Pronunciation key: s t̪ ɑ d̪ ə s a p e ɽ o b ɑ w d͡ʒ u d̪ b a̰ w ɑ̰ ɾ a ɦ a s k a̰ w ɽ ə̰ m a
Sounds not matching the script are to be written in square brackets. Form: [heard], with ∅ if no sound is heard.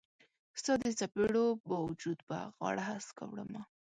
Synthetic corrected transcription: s t̪ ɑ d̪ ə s a p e ɽ o b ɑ w d͡ʒ u d̪ b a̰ [ɣ] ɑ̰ [ɽ] a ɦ a s k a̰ w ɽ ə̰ m a